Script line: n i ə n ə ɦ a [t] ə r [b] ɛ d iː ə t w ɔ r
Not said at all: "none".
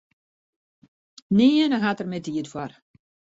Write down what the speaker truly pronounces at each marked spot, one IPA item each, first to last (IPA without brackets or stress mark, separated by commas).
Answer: t, m